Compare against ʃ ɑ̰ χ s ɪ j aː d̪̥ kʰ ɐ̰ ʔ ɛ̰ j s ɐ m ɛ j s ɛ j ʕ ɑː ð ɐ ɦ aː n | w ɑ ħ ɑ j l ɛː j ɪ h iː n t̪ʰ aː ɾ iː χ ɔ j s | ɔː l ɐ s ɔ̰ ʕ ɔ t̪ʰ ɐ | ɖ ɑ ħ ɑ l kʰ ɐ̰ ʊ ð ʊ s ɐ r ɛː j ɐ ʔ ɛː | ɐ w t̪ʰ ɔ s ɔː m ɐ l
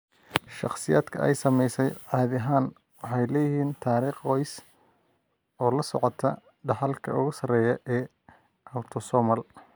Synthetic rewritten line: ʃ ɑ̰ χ s ɪ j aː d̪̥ kʰ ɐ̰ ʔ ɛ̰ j s ɐ m ɛ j s ɛ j ʕ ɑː ð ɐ ɦ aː n | w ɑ ħ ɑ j l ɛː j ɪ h iː n t̪ʰ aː ɾ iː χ ɔ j s | ɔː l ɐ s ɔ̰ ʕ ɔ t̪ʰ ɐ | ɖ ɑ ħ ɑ l kʰ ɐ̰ ʊ ɣ ʊ s ɐ r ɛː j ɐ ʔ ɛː | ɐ w t̪ʰ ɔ s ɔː m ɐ l